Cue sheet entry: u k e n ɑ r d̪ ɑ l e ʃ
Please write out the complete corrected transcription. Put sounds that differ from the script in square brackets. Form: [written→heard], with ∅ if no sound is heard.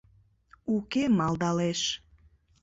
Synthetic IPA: u k e [n→m] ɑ [r→l] d̪ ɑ l e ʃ